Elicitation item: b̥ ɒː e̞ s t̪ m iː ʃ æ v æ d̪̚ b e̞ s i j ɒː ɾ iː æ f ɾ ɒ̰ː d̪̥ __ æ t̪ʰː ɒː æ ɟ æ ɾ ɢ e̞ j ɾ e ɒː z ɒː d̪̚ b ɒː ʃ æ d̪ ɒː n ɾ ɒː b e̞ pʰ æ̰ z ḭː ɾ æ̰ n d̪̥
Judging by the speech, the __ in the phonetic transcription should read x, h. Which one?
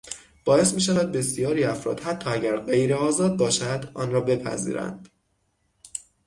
h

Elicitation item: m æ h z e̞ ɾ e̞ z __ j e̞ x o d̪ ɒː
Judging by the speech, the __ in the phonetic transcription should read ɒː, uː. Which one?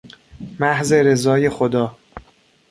ɒː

